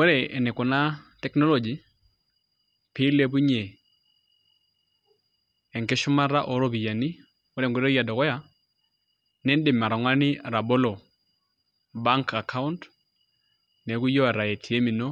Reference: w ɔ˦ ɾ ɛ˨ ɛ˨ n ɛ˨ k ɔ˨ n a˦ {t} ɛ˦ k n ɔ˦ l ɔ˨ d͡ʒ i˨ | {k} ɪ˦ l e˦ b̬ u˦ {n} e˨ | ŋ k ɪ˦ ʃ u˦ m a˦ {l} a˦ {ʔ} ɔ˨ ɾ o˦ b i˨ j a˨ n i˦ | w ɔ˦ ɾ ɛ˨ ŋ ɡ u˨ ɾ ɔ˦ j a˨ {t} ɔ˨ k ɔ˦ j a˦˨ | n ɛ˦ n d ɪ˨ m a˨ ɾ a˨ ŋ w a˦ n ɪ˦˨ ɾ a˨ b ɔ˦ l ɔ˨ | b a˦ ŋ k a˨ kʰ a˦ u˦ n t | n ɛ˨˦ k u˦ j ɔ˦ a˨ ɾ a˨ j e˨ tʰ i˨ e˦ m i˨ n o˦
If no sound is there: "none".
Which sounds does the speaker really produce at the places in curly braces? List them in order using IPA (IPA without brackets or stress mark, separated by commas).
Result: t, p, ɲ, ɾ, ʔ, d